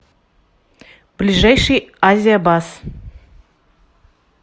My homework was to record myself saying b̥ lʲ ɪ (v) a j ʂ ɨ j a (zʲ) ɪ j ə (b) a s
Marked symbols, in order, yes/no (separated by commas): no, yes, yes